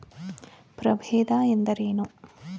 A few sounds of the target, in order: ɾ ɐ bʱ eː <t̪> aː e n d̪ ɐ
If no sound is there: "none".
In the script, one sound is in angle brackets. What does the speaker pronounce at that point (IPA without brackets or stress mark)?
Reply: d̪